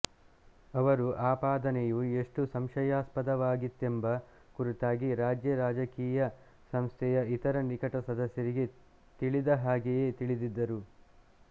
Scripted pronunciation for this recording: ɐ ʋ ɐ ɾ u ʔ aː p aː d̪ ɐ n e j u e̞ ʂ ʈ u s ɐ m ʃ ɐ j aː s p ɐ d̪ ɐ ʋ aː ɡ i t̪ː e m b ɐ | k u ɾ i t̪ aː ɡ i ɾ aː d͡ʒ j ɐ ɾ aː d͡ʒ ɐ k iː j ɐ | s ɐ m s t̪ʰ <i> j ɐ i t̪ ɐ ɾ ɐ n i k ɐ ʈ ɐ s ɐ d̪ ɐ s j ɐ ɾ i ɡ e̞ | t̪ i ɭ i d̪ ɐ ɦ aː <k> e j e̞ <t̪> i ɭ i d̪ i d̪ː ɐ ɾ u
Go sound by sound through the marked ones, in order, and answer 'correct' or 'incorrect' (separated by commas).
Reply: incorrect, incorrect, correct